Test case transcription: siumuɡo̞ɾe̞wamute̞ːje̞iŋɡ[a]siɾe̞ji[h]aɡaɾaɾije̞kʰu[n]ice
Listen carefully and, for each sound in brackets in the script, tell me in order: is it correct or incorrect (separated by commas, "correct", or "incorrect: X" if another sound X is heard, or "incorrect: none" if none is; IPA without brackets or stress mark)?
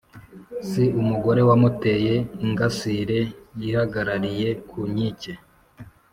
correct, correct, incorrect: ɲ